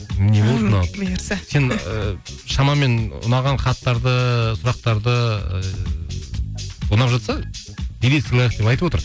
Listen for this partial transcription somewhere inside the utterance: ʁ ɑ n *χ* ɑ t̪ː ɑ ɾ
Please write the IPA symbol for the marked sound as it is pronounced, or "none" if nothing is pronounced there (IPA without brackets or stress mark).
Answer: χ